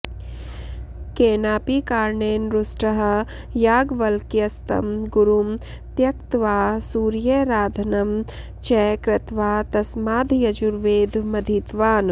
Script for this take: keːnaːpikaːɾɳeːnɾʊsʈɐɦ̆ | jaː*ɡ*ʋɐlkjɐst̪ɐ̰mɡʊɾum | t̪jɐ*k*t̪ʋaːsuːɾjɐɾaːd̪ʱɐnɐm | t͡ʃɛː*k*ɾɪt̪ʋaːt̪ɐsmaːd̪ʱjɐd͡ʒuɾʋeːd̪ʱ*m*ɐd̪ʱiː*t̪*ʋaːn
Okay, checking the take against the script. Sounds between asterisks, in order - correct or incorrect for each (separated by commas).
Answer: correct, correct, correct, correct, correct